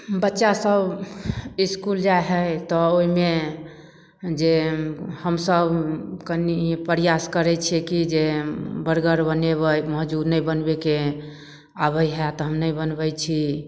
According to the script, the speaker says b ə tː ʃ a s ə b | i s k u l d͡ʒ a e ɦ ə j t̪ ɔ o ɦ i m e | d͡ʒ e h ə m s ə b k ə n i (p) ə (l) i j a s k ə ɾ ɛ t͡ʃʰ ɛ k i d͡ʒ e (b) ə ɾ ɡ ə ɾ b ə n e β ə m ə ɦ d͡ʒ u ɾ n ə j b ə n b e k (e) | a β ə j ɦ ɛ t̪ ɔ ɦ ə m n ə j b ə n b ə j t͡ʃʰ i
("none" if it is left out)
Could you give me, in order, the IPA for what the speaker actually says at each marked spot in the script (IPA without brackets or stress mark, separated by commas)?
p, ɾ, b, e